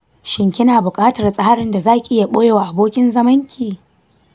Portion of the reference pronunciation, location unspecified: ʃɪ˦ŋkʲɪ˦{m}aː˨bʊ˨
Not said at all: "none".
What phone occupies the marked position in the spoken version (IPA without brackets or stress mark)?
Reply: n